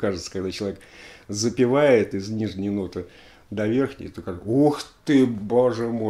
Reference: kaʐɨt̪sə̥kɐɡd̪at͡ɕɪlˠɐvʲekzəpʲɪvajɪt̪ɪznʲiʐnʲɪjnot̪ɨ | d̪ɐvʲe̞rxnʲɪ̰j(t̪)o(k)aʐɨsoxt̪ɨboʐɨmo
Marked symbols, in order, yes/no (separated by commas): yes, yes